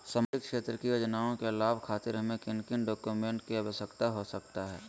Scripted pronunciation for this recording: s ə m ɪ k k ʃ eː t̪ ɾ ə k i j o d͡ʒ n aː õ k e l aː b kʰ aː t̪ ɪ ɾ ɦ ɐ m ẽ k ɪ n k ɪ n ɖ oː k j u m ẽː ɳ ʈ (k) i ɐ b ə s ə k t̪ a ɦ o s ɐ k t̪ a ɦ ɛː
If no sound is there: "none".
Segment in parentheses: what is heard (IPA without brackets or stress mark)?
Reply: k